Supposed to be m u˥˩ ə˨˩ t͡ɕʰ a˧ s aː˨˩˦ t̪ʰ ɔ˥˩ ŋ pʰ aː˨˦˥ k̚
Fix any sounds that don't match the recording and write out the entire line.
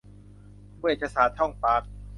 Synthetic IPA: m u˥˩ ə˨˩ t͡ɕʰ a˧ s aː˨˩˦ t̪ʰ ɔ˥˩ ŋ p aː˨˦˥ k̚